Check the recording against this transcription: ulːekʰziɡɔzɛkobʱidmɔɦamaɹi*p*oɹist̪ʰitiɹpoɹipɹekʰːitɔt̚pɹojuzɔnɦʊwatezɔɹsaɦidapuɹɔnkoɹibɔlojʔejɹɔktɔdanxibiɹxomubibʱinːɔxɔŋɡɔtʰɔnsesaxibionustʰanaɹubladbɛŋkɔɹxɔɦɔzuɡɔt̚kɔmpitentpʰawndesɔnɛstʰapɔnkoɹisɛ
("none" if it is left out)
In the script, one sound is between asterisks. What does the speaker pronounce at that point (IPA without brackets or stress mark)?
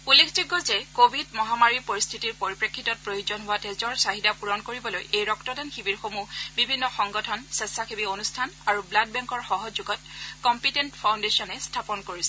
p